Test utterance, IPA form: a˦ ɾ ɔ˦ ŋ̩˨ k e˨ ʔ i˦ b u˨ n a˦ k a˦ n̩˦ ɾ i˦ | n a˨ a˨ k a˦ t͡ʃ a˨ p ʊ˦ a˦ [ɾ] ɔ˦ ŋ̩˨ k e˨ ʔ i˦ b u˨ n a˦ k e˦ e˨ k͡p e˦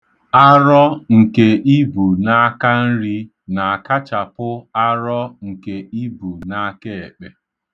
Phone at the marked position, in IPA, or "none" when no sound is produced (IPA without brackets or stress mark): ɾ